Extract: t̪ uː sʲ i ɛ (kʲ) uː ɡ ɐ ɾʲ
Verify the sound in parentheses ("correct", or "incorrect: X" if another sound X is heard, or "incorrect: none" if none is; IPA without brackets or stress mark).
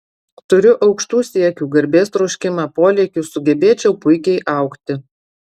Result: correct